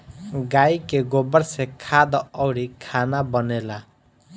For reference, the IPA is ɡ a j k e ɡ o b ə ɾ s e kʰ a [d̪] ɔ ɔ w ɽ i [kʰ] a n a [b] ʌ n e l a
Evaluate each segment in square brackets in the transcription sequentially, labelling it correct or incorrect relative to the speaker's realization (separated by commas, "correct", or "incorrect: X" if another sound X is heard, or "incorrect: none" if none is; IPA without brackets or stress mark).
correct, correct, correct